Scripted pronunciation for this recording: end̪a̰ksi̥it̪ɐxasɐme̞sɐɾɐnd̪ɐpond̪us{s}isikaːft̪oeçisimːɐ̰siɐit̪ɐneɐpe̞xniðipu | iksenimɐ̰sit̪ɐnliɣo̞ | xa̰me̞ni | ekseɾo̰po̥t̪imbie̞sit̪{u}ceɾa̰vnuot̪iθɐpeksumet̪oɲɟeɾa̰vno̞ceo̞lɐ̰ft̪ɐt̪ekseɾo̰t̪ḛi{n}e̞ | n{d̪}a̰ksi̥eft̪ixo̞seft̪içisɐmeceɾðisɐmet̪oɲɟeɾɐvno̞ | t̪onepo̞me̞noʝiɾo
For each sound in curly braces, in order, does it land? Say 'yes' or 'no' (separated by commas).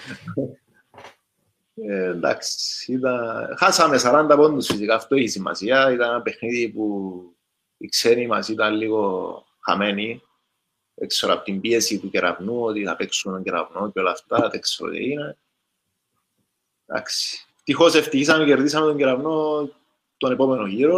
no, yes, yes, yes